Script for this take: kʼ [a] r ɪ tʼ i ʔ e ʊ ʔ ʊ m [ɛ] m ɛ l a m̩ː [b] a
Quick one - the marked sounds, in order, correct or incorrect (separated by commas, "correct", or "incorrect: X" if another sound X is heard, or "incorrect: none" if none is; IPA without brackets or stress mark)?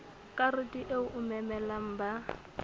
correct, correct, correct